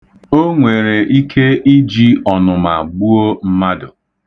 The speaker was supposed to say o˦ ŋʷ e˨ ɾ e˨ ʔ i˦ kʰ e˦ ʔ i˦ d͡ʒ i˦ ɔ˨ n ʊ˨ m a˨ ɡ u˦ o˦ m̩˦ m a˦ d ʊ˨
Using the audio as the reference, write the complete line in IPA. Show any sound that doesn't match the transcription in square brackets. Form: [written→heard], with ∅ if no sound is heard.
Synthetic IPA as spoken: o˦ ŋʷ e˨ ɾ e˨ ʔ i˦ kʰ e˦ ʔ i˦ d͡ʒ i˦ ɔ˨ n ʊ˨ m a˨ [ɡ→ɡ͡b] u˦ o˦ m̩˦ m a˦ d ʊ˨